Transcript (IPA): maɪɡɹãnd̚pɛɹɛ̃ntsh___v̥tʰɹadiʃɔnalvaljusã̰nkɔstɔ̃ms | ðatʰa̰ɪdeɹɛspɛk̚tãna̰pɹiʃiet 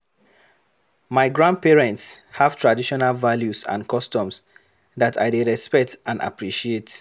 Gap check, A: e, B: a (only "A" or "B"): B